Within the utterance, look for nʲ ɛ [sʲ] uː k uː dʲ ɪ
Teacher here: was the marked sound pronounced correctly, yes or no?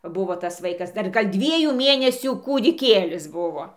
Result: yes